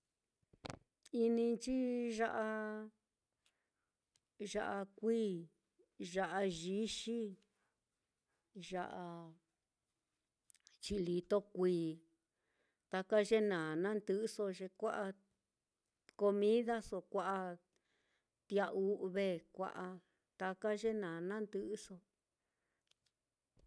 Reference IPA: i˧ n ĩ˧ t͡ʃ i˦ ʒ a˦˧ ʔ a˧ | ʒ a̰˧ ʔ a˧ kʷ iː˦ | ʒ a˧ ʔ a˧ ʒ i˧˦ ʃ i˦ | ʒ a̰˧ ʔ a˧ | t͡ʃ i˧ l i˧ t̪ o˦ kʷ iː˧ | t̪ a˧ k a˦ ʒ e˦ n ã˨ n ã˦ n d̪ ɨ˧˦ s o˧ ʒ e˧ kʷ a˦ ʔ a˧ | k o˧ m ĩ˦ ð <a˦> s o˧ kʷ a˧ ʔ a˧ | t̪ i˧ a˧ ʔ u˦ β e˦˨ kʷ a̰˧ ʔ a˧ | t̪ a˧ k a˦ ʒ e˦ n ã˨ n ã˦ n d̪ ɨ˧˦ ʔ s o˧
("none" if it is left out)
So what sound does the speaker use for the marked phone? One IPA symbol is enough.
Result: a˦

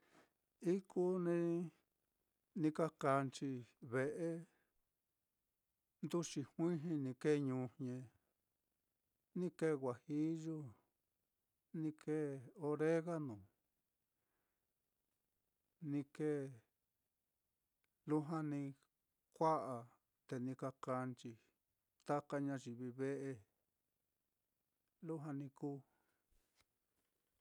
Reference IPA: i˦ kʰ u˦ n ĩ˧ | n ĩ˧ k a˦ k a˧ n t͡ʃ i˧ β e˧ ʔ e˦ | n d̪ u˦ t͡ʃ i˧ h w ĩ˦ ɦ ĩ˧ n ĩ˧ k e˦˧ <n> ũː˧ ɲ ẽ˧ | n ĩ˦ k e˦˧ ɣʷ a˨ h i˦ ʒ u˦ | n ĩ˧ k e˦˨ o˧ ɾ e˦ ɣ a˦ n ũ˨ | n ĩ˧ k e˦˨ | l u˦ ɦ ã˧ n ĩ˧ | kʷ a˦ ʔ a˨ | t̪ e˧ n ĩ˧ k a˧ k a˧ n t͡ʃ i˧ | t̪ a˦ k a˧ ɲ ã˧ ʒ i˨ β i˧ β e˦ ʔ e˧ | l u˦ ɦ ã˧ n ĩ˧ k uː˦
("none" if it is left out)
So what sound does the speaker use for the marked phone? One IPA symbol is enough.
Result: ɲ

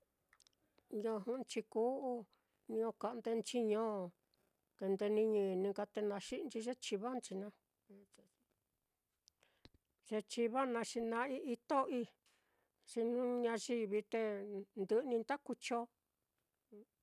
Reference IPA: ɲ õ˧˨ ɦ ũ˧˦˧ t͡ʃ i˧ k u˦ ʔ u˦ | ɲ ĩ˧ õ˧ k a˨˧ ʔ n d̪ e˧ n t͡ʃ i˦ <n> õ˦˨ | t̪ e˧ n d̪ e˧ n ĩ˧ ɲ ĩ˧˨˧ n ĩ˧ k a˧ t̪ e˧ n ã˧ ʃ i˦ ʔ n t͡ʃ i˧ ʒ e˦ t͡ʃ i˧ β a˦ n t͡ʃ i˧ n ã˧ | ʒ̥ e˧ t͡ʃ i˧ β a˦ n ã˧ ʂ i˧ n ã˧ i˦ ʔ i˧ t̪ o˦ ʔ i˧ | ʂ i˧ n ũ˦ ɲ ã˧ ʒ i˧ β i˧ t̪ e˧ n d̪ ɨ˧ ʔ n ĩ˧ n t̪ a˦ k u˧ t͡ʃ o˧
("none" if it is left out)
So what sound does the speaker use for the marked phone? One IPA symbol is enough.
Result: ɲ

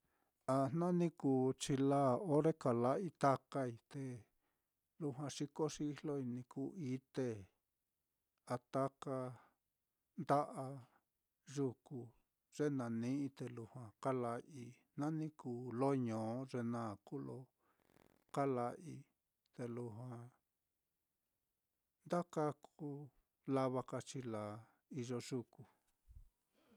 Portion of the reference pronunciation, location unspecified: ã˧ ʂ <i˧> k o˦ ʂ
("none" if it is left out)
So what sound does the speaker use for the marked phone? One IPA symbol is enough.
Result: i˧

